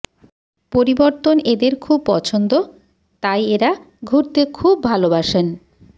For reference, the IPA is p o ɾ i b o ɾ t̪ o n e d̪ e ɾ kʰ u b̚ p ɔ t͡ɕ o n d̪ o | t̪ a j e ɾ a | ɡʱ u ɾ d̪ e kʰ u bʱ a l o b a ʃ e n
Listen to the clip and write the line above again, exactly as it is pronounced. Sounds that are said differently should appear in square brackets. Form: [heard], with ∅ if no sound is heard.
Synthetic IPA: p o ɾ i b o ɾ t̪ o n e d̪ e ɾ kʰ u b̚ p ɔ [t͡ɕʰ] o n d̪ o | t̪ a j e ɾ a | ɡʱ u ɾ [t̪] e kʰ u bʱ a l o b a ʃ e n